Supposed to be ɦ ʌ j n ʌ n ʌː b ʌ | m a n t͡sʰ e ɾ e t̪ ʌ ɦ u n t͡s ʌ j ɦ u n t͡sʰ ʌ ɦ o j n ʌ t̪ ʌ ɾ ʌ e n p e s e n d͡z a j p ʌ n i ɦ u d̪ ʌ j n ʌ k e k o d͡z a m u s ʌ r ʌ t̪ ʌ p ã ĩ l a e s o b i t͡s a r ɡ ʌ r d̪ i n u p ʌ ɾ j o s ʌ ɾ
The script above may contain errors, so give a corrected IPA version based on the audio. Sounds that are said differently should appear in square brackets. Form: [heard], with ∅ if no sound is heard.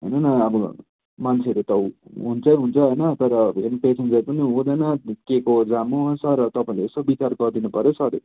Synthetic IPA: ɦ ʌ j n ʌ n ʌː b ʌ | m a n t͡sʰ e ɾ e t̪ ʌ ɦ u n t͡s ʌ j ɦ u n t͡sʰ ʌ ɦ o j n ʌ t̪ ʌ ɾ ʌ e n p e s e n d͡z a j p ʌ n i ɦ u d̪ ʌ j n ʌ k e k o d͡z a m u s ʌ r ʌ t̪ ʌ p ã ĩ l [e] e s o b i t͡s a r ɡ ʌ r d̪ i n u p ʌ ɾ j o s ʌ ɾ